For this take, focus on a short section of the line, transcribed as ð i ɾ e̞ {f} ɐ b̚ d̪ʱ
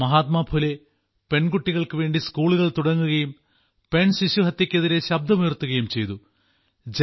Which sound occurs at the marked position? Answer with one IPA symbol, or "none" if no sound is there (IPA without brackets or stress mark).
ɕ